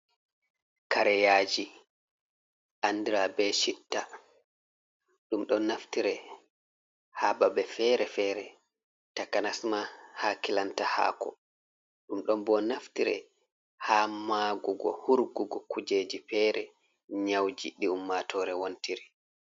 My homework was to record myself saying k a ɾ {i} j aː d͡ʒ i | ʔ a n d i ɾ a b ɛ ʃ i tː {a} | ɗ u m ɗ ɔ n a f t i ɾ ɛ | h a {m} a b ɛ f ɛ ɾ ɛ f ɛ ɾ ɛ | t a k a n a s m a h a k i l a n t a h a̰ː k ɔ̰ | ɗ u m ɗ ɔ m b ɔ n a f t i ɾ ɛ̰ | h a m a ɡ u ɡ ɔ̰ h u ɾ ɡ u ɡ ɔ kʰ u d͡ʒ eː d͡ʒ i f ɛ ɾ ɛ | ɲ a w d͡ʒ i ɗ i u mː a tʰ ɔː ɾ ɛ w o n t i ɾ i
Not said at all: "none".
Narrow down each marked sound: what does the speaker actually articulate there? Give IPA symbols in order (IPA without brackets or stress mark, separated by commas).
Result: ɛ, a, b